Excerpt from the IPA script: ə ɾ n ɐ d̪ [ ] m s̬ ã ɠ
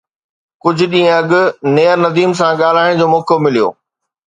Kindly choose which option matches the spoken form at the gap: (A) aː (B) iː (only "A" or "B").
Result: B